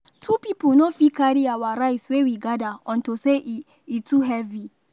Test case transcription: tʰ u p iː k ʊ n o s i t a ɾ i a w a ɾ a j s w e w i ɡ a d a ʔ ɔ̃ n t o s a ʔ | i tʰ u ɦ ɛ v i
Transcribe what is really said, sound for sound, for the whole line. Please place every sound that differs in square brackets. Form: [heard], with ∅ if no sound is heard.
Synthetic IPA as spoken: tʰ u p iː [p] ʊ n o [f] i [k] a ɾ i a w a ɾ a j s w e w i ɡ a d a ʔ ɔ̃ n t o s [e] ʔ | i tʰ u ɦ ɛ v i